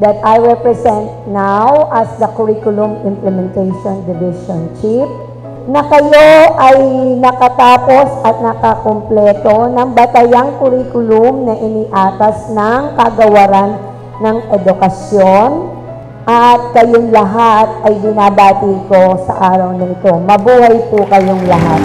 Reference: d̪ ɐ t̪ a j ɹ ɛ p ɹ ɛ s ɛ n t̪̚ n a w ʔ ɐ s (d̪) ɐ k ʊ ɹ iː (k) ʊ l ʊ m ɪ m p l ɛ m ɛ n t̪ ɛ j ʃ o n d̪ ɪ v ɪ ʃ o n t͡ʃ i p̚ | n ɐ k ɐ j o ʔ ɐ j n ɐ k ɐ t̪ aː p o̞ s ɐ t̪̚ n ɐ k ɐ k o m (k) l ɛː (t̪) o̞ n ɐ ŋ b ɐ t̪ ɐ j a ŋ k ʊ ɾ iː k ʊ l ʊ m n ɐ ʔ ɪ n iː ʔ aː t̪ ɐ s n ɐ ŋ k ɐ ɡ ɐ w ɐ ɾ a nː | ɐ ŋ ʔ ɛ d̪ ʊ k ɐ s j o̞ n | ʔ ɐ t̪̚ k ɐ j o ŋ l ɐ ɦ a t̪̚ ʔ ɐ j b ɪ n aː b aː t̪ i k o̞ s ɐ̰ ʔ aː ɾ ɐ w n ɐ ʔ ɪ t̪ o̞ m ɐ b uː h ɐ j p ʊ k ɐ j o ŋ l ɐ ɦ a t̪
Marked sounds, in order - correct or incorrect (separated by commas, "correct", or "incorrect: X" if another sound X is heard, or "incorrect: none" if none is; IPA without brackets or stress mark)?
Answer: correct, correct, incorrect: p, correct